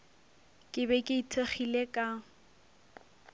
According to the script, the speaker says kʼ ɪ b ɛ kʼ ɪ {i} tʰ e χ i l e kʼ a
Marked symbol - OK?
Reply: yes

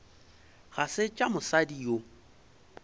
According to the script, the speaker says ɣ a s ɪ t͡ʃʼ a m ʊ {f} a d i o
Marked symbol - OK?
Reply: no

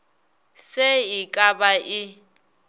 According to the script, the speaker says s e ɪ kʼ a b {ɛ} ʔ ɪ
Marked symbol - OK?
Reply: no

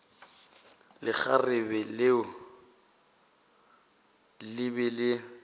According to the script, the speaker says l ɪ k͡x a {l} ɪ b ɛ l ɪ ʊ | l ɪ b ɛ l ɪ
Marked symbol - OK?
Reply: no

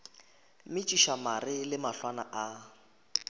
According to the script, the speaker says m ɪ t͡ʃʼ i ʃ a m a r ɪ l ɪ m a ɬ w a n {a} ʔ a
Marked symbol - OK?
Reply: yes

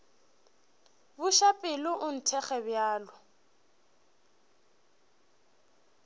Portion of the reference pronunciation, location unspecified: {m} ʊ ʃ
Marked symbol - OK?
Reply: no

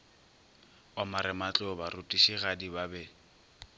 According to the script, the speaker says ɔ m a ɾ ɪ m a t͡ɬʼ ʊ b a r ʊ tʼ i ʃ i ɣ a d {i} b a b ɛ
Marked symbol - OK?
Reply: yes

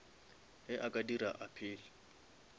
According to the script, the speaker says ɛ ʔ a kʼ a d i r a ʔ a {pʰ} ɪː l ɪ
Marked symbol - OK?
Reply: yes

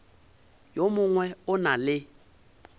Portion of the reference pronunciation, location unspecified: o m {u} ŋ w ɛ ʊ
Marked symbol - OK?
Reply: no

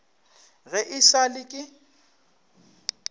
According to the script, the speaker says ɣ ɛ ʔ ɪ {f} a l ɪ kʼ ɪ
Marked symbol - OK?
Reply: no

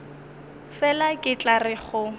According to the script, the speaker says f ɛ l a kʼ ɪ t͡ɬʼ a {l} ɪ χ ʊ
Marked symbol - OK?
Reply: no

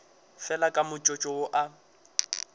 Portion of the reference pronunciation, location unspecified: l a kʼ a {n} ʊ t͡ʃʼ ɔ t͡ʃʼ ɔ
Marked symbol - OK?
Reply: no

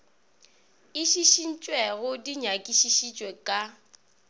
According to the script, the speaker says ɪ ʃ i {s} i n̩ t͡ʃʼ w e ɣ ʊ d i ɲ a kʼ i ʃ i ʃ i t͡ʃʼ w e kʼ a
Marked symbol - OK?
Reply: no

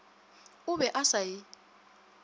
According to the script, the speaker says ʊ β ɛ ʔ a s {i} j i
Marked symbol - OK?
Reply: no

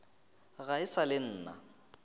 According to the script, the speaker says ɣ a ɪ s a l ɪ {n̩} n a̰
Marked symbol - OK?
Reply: no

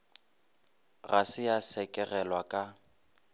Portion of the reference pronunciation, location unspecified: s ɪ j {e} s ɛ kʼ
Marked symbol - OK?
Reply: no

